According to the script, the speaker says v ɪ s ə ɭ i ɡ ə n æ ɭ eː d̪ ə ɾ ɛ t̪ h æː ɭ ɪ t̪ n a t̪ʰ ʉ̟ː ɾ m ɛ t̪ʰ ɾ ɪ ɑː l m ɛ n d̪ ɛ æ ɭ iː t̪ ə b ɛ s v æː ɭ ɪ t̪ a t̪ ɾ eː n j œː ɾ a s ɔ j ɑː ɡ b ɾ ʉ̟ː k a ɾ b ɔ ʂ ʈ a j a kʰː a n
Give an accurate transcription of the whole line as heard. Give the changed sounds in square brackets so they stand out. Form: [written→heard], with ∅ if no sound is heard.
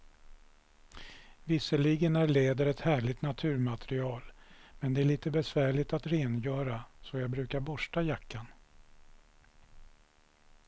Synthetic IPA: v ɪ s ə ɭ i ɡ ə n æ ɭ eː d̪ ə ɾ ɛ t̪ h æː ɭ ɪ t̪ n a t̪ʰ ʉ̟ː ɾ m [ɛ→a] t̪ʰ ɾ ɪ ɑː l m ɛ n d̪ ɛ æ ɭ iː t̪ ə b ɛ s v æː ɭ ɪ t̪ a t̪ ɾ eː n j œː ɾ a s ɔ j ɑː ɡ b ɾ ʉ̟ː k a ɾ b ɔ ʂ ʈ a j a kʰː a n